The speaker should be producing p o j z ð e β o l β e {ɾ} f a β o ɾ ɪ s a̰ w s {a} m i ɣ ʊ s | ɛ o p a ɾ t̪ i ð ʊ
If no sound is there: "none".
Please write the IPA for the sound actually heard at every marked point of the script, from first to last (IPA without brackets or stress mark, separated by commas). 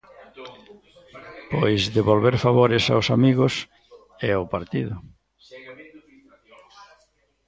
ɾ, a